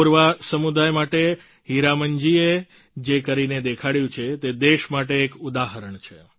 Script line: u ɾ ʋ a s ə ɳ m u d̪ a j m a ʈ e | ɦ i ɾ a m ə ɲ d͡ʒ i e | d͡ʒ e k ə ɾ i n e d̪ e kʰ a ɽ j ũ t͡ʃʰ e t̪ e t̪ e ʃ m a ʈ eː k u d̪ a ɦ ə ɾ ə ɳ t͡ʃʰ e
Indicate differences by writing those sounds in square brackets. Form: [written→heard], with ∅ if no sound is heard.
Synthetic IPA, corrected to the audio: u ɾ ʋ a s ə [ɳ→∅] m u d̪ a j m a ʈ e | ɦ i ɾ a m ə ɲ d͡ʒ i e | d͡ʒ e k ə ɾ i n e d̪ e kʰ a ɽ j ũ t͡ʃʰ e t̪ e [t̪→d̪] e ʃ m a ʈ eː k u d̪ a ɦ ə ɾ ə ɳ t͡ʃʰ e